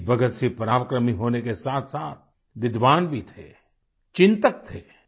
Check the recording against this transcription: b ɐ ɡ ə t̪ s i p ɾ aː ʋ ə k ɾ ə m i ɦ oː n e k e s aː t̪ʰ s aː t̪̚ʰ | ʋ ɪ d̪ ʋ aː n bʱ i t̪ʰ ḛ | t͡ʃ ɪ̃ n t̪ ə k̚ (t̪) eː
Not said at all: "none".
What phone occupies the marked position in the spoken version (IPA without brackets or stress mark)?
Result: t̪ʰ